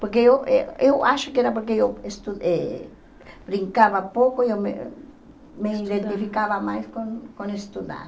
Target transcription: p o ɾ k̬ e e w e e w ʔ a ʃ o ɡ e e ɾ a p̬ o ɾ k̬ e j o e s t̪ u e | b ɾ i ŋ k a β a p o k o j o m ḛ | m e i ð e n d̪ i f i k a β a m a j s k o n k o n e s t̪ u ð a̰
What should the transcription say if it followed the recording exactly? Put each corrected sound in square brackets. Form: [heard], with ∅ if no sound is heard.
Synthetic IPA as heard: p o ɾ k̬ e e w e e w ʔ a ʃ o [k] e e ɾ a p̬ o ɾ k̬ e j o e s t̪ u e | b ɾ i ŋ k a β a p o k o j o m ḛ | m e i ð e n [t̪] i f i k a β a m a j s k o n k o n e s t̪ u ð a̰